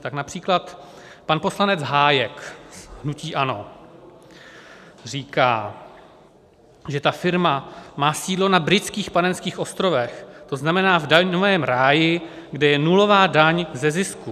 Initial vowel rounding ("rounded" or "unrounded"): unrounded